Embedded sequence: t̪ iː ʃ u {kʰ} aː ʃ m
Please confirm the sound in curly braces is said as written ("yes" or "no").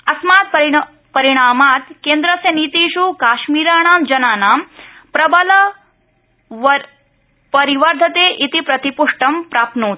no